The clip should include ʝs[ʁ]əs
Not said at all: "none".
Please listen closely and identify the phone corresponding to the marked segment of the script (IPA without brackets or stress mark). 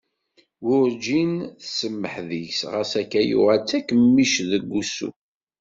ʁ